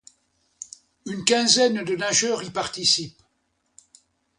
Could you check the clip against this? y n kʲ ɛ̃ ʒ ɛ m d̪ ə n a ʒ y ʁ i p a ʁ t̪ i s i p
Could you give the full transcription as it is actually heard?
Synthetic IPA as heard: y n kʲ ɛ̃ z ɛ n d̪ ə n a ʒ œ ʁ i p a ʁ t̪ i s i p